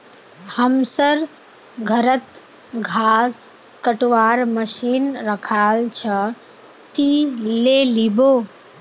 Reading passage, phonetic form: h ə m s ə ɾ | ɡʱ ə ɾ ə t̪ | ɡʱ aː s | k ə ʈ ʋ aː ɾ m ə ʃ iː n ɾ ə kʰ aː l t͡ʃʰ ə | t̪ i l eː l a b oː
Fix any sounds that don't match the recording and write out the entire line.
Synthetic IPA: h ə m s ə ɾ | ɡʱ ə ɾ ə t̪ | ɡʱ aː s | k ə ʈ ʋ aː ɾ m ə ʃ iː n ɾ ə kʰ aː l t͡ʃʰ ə | t̪ i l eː l i b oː